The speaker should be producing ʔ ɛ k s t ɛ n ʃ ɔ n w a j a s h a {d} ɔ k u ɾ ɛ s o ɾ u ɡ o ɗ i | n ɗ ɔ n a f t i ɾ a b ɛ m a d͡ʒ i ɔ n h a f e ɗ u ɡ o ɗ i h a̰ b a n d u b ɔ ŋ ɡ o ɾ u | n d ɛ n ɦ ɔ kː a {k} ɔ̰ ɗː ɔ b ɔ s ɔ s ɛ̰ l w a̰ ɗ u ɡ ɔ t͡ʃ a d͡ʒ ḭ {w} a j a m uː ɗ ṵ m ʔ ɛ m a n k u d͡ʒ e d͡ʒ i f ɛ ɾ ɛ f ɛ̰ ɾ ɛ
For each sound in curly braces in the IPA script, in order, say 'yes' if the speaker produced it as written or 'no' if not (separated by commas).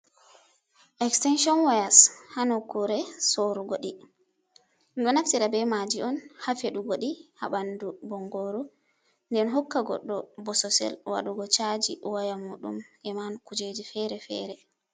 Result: no, no, yes